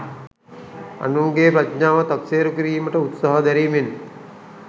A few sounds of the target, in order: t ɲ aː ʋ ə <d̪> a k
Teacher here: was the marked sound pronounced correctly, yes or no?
no